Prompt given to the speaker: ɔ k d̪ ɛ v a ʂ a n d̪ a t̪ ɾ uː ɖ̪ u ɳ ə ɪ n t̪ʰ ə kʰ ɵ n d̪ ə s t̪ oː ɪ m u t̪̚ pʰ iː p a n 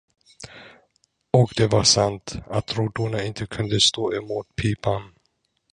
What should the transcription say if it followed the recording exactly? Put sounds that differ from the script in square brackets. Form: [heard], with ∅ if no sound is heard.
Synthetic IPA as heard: ɔ k d̪ ɛ v a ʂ a n [t̪] a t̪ ɾ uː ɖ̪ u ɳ [a] ɪ n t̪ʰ ə kʰ ɵ n d̪ ə s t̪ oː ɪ m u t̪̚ pʰ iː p a n